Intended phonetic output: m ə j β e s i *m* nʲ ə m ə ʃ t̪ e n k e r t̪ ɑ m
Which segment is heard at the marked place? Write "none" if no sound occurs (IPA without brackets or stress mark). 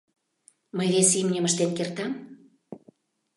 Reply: m